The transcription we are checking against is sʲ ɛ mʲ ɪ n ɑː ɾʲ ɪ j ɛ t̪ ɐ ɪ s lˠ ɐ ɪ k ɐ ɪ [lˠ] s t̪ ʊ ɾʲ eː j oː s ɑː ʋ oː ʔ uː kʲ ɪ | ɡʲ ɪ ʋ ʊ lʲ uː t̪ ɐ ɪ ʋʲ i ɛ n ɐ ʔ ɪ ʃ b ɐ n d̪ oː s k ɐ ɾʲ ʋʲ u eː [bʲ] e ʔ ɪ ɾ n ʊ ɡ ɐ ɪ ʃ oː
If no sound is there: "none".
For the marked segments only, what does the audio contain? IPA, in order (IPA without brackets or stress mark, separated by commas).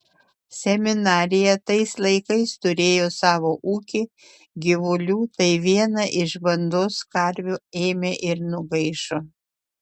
none, mʲ